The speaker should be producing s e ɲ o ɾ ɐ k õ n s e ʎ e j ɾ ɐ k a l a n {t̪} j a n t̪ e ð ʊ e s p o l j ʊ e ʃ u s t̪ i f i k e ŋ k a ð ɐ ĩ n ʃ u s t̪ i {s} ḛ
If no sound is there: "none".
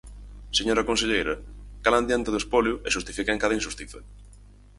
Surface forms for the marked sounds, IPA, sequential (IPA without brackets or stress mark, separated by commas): d̪, θ